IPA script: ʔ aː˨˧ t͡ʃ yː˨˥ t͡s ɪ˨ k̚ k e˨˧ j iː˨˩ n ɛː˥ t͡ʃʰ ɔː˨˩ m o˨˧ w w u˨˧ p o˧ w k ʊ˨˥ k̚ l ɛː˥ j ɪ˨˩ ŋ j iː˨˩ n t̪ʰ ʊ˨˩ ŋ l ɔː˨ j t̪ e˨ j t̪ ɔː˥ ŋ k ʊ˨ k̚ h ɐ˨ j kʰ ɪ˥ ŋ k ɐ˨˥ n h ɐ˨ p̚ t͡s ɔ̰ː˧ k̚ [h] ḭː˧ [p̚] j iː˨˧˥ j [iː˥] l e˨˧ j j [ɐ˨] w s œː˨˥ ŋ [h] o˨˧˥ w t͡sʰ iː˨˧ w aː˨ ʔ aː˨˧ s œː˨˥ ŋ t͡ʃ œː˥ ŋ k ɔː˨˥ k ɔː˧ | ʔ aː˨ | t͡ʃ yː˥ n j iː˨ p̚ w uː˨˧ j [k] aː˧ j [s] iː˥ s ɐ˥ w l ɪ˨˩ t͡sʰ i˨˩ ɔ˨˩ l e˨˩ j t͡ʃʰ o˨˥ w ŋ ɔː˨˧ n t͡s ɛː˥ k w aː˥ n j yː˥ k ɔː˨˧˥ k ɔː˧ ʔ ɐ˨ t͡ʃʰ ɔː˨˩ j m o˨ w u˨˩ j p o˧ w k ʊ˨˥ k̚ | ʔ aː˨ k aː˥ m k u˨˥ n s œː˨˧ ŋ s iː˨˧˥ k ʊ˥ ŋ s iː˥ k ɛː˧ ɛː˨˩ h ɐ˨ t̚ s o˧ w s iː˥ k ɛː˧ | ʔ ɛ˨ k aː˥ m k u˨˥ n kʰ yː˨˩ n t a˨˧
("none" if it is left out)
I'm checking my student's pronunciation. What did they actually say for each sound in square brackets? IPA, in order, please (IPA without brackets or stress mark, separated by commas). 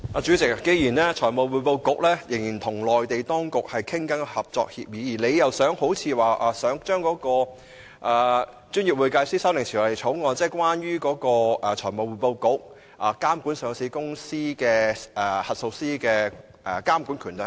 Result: h, p̚, iː˨˩, ɐ˨, h, k, s